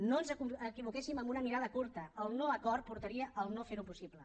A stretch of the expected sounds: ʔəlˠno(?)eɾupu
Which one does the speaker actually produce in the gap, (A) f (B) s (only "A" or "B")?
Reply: A